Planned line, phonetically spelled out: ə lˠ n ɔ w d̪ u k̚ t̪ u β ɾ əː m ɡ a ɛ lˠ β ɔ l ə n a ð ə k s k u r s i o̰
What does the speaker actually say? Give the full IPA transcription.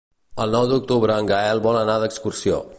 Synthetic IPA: ə lˠ n ɔ w d̪ u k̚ t̪ u β ɾ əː ŋ ɡ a ɛ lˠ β ɔ l ə n a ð ə k s k u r s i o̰